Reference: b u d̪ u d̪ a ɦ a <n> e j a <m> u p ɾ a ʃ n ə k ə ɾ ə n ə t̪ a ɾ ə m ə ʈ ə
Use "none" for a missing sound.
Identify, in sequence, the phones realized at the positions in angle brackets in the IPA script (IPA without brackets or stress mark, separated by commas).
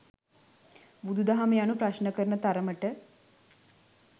m, n